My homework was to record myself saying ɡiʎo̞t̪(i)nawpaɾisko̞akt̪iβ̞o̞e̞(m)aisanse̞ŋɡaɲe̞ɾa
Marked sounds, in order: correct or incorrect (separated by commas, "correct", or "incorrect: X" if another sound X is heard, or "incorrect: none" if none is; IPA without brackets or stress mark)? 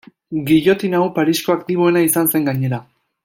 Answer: correct, incorrect: n